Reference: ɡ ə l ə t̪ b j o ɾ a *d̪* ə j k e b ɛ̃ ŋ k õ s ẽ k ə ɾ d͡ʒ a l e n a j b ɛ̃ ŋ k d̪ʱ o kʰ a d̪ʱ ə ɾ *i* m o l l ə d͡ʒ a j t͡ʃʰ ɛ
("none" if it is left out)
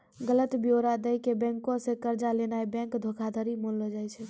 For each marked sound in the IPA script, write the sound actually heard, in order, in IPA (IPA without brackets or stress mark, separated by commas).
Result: d̪, i